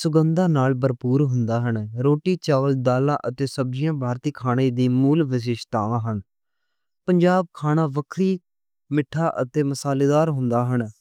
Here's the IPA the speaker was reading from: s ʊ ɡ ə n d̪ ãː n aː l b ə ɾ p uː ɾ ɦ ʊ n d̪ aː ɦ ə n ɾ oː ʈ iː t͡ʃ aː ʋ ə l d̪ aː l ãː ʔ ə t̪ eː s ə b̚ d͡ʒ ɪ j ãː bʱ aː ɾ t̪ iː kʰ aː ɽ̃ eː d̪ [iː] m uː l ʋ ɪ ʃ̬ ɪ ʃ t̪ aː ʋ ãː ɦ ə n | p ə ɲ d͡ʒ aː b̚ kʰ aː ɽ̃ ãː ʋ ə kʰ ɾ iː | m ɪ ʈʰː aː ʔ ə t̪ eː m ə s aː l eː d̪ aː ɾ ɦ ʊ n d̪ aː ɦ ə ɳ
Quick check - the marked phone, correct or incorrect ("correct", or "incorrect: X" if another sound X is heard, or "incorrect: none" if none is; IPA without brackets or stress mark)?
correct